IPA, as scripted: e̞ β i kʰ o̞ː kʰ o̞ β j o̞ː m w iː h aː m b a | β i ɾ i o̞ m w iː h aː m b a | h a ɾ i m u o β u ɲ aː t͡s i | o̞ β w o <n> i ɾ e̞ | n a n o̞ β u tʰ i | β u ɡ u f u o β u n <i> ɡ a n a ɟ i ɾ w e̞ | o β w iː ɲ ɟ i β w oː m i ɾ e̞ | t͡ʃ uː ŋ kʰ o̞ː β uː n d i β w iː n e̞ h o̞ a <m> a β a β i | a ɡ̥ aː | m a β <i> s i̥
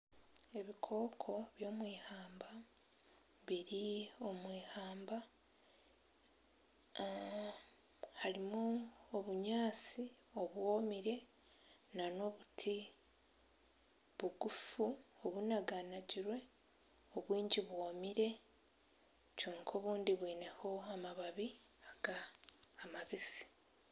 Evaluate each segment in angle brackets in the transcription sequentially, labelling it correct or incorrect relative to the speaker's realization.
incorrect: m, incorrect: a, correct, correct

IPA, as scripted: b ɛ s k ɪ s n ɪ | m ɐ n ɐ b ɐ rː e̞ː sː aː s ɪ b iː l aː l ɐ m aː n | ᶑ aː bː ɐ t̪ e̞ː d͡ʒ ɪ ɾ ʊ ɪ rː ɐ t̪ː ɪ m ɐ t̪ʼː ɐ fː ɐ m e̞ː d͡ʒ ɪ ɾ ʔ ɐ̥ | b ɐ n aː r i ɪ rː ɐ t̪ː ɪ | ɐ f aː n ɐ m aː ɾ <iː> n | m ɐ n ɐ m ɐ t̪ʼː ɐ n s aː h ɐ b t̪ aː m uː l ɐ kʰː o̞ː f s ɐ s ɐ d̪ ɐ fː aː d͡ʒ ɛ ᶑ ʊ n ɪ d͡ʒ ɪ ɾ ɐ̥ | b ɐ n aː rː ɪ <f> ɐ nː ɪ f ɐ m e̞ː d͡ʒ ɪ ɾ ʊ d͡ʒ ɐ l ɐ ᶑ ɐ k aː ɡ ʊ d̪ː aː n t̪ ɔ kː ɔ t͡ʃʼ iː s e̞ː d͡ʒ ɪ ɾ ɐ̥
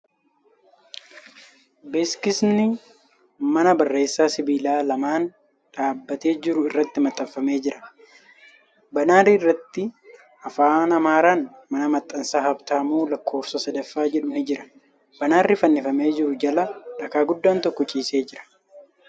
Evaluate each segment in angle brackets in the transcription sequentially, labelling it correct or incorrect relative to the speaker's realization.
incorrect: aː, correct

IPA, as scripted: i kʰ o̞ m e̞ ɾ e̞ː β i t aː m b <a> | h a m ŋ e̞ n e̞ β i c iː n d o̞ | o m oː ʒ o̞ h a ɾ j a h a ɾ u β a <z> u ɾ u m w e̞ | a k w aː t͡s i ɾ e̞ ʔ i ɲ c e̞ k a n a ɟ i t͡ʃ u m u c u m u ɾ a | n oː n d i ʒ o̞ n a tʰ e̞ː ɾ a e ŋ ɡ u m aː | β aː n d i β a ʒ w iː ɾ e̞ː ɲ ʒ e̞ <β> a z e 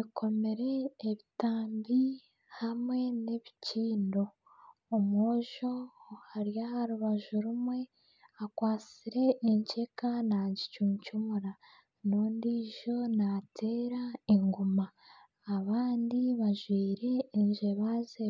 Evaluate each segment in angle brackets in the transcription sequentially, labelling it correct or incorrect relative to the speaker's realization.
incorrect: i, incorrect: ʒ, correct

